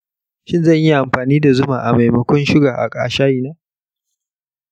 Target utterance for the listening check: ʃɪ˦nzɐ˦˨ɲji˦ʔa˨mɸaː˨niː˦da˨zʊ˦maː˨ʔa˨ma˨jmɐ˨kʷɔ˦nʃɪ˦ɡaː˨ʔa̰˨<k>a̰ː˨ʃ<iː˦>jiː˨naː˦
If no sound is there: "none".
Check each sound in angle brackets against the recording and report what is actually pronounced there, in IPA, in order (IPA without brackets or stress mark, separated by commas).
kʼ, aː˦